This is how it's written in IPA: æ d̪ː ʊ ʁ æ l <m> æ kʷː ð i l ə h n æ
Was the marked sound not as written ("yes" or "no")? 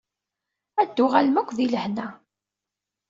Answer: no